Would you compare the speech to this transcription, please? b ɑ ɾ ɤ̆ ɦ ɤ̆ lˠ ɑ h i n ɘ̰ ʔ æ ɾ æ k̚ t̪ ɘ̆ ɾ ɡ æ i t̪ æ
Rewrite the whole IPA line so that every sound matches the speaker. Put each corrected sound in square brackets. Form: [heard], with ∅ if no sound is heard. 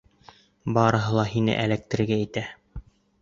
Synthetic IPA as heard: b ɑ ɾ ɤ̆ ɦ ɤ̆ lˠ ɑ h i n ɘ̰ ʔ æ [l] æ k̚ t̪ ɘ̆ ɾ ɡ æ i t̪ æ